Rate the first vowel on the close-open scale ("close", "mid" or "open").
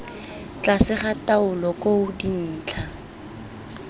open